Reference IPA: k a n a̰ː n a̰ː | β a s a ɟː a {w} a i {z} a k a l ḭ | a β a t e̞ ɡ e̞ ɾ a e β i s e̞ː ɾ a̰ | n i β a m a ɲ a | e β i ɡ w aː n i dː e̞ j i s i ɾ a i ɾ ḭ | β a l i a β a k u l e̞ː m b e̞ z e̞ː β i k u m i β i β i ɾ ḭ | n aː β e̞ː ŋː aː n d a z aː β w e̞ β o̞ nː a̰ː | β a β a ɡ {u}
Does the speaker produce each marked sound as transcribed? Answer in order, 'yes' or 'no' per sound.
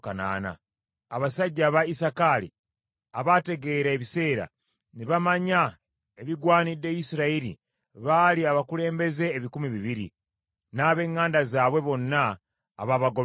no, no, no

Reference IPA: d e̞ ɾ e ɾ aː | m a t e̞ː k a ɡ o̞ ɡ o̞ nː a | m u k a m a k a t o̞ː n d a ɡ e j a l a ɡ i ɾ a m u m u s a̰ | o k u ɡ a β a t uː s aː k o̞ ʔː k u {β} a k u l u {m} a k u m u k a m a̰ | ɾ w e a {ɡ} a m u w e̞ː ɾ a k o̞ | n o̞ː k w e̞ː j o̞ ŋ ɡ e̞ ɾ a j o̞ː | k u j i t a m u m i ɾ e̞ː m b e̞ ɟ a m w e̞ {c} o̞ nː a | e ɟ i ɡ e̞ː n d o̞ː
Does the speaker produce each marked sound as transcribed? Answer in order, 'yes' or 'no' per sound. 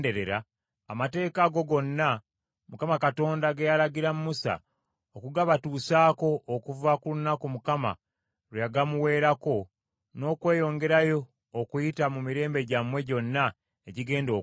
no, no, yes, no

